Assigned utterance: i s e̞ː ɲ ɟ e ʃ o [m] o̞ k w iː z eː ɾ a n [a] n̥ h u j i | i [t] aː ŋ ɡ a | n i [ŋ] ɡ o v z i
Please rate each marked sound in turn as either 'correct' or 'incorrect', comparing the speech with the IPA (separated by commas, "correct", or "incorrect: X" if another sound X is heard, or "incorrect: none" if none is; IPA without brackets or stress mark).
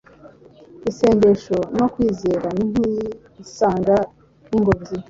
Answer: incorrect: n, incorrect: i, incorrect: s, correct